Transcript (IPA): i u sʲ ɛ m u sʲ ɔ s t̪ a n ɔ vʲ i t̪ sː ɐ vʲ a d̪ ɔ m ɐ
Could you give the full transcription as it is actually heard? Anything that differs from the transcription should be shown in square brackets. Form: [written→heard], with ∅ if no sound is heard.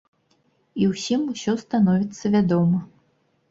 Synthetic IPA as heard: i [u→w] sʲ [ɛ→i] m u sʲ ɔ s t̪ a n ɔ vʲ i t̪ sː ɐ vʲ a d̪ ɔ m ɐ